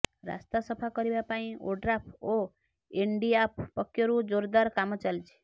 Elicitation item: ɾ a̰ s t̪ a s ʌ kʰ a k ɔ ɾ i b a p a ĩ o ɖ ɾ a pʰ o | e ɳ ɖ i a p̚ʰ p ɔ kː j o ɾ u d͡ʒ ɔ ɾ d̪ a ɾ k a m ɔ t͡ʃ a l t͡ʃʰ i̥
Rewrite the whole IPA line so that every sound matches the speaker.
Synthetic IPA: ɾ a̰ s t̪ a s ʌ pʰ a k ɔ ɾ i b a p a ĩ o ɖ ɾ a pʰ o | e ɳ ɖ i a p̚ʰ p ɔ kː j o ɾ u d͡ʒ o ɾ d̪ a ɾ k a m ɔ t͡ʃ a l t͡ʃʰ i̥